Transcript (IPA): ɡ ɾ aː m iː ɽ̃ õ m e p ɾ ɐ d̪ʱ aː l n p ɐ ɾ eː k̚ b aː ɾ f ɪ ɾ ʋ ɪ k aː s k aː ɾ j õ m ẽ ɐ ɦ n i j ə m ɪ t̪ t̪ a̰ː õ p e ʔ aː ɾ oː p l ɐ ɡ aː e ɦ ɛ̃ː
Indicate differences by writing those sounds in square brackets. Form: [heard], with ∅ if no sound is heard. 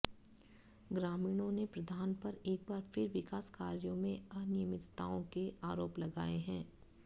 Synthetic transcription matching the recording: ɡ ɾ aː m iː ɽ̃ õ [n] e p ɾ ɐ d̪ʱ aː [∅] n p ɐ ɾ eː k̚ b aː ɾ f ɪ ɾ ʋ ɪ k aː s k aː ɾ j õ m ẽ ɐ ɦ n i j ə m ɪ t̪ t̪ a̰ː õ [k] e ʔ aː ɾ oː p l ɐ ɡ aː e ɦ ɛ̃ː